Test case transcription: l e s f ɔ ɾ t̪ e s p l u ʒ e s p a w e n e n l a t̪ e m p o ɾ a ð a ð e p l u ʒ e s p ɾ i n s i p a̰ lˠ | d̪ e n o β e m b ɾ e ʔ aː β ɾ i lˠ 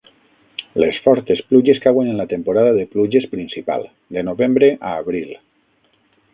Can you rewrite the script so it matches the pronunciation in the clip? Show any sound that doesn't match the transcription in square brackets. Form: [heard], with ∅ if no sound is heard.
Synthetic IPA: l e s f ɔ ɾ t̪ e s p l u ʒ e s [k] a w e n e n l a t̪ e m p o ɾ a ð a ð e p l u ʒ e s p ɾ i n s i p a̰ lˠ | d̪ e n o β e m b ɾ e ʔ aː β ɾ i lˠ